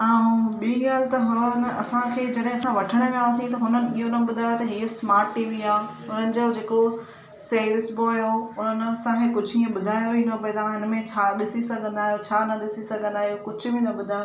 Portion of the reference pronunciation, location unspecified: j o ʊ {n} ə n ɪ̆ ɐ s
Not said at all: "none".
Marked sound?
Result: n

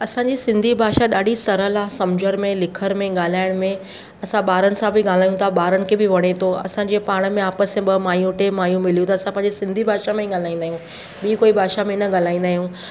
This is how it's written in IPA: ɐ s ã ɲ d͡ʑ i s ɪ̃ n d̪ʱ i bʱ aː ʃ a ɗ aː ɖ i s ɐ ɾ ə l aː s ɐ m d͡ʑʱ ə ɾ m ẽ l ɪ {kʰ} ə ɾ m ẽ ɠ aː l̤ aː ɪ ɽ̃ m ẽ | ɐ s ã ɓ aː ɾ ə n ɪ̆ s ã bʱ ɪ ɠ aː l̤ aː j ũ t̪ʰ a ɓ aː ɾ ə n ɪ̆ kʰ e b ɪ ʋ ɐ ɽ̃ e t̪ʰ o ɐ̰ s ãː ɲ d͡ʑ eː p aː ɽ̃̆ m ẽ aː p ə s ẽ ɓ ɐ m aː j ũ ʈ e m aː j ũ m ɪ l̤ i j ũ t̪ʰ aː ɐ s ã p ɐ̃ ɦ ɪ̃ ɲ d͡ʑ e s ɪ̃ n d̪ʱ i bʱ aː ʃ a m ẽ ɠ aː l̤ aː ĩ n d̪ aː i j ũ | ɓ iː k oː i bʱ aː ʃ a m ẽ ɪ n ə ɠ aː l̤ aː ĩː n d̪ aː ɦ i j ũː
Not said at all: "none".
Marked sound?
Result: kʰ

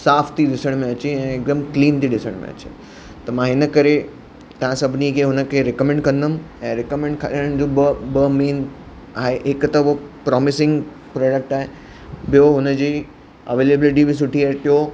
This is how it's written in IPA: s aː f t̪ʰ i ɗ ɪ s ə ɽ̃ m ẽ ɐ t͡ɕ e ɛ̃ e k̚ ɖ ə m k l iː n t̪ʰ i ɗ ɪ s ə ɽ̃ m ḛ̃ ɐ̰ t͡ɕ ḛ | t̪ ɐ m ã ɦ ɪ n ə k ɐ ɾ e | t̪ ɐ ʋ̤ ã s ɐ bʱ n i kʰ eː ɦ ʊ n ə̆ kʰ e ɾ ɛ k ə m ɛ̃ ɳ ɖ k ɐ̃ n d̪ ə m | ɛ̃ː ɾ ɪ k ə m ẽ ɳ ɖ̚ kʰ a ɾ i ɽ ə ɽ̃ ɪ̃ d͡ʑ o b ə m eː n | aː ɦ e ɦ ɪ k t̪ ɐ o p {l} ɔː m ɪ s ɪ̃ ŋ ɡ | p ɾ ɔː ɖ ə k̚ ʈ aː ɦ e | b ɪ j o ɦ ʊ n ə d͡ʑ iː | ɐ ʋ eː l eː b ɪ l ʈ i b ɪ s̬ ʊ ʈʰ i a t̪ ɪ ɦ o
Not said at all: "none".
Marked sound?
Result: ɾ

